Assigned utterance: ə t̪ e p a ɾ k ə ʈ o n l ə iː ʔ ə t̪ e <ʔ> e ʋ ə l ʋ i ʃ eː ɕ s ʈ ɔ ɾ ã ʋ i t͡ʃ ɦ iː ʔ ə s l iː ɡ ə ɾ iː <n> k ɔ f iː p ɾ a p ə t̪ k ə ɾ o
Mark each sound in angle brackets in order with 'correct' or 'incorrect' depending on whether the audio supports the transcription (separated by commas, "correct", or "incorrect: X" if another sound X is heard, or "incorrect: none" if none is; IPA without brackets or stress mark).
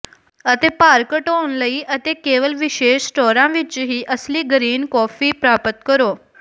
incorrect: k, correct